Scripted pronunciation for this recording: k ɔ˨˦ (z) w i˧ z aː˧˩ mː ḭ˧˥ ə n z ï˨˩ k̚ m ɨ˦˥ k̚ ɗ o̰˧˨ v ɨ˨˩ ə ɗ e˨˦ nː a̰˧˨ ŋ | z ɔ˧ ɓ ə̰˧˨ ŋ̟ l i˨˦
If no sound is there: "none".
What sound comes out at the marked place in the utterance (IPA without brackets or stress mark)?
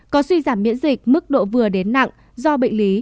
s